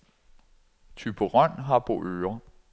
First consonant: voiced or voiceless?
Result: voiceless